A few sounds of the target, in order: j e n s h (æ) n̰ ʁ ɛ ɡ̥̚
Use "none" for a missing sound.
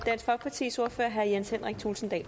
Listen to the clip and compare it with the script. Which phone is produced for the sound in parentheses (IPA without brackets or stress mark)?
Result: e